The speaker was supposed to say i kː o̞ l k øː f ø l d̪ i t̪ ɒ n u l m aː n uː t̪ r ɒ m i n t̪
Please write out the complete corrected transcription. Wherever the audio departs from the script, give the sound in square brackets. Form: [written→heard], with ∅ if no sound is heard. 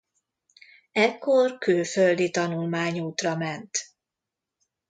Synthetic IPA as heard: [i→ɛ] kː o̞ [l→r] k øː f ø l d̪ i t̪ ɒ n u l m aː [n→ɲ] uː t̪ r ɒ m [i→ɛ] n t̪